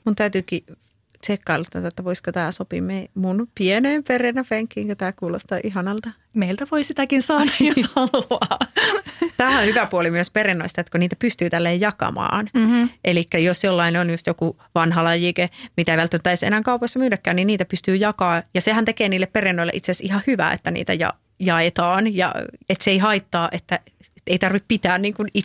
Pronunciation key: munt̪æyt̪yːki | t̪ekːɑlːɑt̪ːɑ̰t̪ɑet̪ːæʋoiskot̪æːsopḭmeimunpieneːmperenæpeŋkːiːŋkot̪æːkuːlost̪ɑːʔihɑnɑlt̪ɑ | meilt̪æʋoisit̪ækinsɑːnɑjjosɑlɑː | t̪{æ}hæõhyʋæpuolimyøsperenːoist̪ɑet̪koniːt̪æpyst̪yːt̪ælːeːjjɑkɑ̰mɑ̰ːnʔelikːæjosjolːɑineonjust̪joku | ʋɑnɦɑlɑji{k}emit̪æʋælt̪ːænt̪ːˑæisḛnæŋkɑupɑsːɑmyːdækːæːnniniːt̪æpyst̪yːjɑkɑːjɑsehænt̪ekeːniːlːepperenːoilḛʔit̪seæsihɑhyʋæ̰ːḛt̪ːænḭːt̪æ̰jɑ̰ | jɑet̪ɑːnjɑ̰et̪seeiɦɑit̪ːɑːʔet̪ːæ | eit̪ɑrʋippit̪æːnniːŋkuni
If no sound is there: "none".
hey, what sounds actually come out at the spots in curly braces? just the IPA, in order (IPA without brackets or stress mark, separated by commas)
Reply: æː, k